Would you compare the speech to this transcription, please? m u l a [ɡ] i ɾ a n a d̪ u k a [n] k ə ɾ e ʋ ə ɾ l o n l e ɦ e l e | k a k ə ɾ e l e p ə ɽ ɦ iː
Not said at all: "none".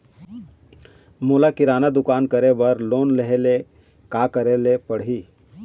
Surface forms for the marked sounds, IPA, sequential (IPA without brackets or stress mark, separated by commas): k, n